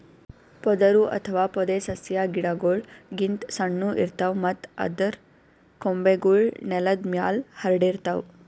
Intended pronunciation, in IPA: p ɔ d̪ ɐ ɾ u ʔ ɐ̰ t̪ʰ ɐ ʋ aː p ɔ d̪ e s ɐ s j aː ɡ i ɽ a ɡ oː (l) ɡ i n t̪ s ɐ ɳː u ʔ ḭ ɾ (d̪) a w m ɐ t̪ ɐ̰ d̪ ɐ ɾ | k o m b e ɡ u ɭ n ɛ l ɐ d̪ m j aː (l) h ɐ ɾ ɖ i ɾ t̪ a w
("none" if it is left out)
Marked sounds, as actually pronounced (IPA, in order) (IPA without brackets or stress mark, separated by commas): ɭ, t̪, l